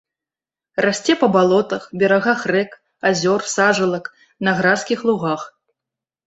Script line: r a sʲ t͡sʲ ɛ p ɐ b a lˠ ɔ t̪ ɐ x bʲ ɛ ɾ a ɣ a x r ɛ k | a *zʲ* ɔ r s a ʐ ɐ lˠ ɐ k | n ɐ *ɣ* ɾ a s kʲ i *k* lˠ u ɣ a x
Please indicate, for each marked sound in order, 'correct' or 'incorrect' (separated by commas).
correct, correct, incorrect